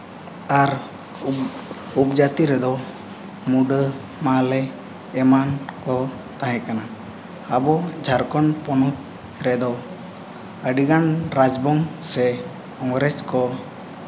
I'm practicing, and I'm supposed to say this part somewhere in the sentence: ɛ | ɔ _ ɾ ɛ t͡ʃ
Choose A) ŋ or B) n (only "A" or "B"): A